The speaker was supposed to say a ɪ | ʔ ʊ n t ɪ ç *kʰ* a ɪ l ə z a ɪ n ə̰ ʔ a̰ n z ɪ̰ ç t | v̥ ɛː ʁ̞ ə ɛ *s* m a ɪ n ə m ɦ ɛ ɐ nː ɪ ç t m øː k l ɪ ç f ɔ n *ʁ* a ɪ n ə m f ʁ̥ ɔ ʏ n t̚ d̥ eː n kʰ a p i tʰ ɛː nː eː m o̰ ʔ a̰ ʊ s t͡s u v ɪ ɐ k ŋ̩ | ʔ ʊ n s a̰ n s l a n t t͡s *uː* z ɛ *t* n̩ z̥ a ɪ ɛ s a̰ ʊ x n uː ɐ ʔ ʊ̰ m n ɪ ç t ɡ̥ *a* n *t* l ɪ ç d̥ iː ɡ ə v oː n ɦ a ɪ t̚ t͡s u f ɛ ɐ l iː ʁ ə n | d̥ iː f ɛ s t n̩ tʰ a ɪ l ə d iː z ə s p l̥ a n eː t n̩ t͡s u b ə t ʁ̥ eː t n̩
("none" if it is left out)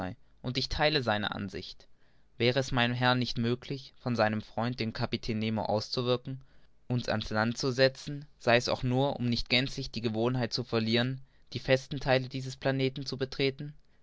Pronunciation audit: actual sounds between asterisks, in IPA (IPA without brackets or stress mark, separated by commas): tʰ, s, z, u, t͡s, ɛ, t͡s